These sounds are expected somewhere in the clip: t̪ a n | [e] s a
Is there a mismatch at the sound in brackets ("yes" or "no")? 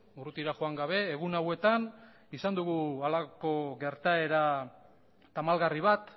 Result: yes